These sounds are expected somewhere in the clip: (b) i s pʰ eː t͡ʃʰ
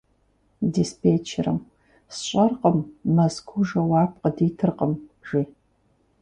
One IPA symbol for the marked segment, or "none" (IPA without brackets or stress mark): d